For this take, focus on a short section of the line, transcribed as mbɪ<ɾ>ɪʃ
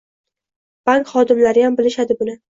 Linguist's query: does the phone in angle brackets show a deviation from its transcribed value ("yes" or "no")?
yes